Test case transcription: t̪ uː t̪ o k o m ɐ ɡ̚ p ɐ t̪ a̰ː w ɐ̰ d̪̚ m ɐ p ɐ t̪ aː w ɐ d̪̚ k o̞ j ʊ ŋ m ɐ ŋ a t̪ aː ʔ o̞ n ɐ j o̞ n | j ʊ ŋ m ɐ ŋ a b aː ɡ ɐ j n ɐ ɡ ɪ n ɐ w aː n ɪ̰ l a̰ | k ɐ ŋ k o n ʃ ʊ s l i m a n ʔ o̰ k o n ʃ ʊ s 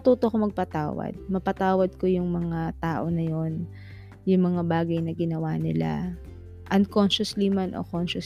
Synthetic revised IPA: t̪ uː t̪ o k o m ɐ ɡ̚ p ɐ t̪ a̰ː w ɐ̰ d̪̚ m ɐ p ɐ t̪ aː w ɐ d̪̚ k o̞ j ʊ ŋ m ɐ ŋ a t̪ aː ʔ o̞ n ɐ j o̞ n | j ʊ ŋ m ɐ ŋ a b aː ɡ ɐ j n ɐ ɡ ɪ n ɐ w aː n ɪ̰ l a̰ | ʔ ɐ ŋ k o n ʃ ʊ s l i m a n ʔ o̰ k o n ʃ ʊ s